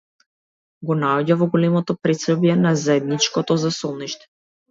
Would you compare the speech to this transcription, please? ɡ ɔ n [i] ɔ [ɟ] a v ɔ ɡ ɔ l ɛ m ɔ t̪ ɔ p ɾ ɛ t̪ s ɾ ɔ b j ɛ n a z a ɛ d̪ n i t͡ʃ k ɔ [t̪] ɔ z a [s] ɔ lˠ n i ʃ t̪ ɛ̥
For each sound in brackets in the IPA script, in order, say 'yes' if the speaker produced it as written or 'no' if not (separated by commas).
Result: no, yes, yes, yes